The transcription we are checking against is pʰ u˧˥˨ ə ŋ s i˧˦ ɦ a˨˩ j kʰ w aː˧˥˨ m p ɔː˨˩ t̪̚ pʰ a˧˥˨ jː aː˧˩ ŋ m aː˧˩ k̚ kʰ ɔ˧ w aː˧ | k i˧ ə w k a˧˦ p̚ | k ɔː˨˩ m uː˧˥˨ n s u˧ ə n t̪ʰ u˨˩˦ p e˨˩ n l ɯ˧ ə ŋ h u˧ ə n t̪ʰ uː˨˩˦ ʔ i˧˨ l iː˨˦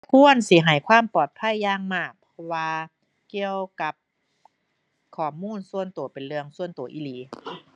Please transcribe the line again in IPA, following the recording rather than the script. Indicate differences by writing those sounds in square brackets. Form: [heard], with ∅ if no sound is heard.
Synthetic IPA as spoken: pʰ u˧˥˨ ə [n] s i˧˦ ɦ a˨˩ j kʰ w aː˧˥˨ m p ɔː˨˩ t̪̚ pʰ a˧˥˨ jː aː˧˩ ŋ m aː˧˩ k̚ [pʰ] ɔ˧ w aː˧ | k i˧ ə w k a˧˦ p̚ | [kʰ] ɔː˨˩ m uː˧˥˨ n s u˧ ə n [t̪] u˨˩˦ p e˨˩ n l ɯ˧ ə ŋ [s] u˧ ə n [t̪] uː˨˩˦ ʔ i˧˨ l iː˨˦